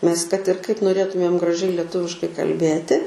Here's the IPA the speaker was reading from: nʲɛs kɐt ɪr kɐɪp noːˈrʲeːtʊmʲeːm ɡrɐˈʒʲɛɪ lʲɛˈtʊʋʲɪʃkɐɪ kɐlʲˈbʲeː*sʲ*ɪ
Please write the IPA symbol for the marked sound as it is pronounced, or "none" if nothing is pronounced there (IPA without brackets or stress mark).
tʲ